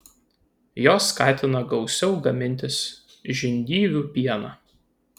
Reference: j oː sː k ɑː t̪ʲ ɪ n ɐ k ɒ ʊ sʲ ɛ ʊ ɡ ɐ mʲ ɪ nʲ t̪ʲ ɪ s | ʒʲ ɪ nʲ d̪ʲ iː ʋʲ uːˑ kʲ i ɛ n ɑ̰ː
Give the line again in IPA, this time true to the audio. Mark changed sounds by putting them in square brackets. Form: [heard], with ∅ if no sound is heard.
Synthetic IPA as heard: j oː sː k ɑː t̪ʲ ɪ n ɐ [ɡ] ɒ ʊ sʲ ɛ ʊ ɡ ɐ mʲ ɪ nʲ t̪ʲ ɪ s | ʒʲ ɪ nʲ d̪ʲ iː ʋʲ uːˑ [pʲ] i ɛ n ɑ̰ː